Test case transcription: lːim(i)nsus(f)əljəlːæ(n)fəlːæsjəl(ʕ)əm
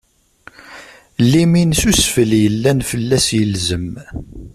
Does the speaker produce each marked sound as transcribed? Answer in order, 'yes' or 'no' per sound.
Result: yes, yes, yes, no

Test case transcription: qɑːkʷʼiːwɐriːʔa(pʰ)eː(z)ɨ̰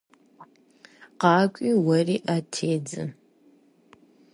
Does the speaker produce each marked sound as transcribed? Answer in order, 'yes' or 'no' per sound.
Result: no, no

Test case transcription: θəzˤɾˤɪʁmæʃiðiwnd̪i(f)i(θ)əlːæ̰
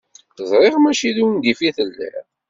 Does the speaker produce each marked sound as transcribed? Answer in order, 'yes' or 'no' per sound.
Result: yes, yes

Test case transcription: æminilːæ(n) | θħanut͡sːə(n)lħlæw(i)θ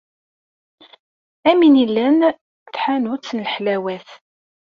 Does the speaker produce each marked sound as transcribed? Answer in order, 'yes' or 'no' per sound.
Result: yes, yes, no

